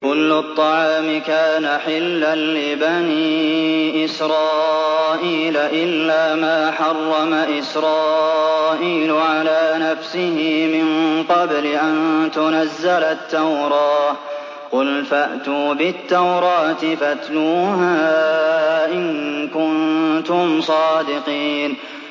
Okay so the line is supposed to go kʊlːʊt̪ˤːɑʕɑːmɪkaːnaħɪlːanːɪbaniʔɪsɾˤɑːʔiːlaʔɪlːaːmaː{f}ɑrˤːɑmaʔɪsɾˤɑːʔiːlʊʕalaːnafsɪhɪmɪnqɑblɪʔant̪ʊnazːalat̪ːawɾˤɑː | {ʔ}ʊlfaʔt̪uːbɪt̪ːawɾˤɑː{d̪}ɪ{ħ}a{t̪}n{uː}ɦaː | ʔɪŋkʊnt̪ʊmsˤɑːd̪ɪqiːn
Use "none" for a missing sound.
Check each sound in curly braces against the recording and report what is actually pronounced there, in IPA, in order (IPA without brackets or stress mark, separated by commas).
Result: ħ, q, t̪, f, t̪, uː